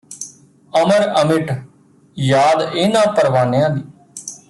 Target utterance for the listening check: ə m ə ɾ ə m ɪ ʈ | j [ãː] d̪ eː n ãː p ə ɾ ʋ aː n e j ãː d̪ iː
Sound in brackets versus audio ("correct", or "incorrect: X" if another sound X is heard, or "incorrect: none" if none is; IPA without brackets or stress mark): incorrect: aː